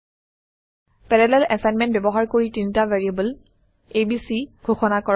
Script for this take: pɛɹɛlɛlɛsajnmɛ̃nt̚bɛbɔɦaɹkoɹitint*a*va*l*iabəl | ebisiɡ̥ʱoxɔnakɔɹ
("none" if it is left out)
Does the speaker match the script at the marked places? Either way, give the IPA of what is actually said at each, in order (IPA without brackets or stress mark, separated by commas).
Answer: a, ɹ